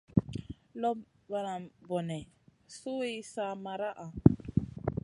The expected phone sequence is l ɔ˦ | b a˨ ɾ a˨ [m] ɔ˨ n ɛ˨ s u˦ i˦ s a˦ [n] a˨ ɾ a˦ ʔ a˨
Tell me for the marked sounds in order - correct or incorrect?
incorrect, incorrect

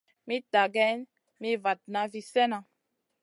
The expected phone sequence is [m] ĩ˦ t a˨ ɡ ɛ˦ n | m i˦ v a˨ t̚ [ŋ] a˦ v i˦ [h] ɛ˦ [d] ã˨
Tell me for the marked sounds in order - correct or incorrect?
correct, incorrect, incorrect, incorrect

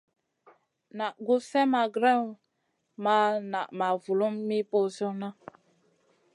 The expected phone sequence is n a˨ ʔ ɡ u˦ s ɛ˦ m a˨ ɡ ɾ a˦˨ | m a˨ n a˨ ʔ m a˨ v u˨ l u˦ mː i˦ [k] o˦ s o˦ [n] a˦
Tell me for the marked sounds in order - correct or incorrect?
incorrect, correct

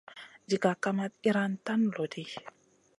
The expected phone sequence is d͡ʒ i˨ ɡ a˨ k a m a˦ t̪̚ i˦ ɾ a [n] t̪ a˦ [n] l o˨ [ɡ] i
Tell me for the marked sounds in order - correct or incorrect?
correct, correct, incorrect

